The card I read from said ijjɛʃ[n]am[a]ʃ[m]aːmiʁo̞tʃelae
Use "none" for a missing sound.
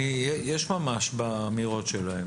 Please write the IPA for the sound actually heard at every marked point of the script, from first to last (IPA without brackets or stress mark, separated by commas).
m, a, b